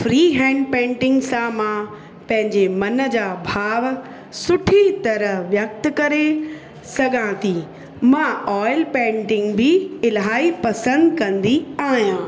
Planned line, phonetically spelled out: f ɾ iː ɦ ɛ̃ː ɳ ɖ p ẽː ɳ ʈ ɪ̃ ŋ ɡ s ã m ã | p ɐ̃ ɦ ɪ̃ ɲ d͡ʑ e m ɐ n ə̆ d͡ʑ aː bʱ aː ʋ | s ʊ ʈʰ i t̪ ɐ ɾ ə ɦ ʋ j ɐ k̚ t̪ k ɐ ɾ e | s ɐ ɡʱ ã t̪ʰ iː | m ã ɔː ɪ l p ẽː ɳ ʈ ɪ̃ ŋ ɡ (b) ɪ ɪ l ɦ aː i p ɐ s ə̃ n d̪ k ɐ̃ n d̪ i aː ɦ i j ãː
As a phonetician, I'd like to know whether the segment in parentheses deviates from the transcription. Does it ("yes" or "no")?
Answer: no